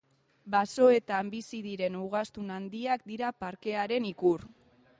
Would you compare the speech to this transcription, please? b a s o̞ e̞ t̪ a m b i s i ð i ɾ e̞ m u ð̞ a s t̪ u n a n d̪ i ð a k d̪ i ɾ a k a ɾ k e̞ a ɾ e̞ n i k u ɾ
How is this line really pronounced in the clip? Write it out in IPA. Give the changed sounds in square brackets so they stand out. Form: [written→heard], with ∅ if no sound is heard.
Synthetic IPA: b a s o̞ e̞ t̪ a m b i s i ð i ɾ e̞ [m→n] u [ð̞→ɣ̞] a s t̪ u n a n d̪ i [ð→∅] a k d̪ i ɾ a [k→p] a ɾ k e̞ a ɾ e̞ n i k u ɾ